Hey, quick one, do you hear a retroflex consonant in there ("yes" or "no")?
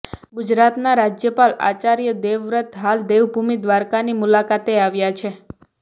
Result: no